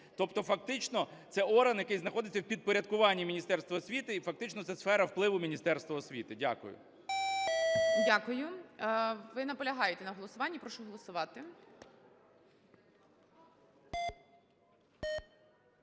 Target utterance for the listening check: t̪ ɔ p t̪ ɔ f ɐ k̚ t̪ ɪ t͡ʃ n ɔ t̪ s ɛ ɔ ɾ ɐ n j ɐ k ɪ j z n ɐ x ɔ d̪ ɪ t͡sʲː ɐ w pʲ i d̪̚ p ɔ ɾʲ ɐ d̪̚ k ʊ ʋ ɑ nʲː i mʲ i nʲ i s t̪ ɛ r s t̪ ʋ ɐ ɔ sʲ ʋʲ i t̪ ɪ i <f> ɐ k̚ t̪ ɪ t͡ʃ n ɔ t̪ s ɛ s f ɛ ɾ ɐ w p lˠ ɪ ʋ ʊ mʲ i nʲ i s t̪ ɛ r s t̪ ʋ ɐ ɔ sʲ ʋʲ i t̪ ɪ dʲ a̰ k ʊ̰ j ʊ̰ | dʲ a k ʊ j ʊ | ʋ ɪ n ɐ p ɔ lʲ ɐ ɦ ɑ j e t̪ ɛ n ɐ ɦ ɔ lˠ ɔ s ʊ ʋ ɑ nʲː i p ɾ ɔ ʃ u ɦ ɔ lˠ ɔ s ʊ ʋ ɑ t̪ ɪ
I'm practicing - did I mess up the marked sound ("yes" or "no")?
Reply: no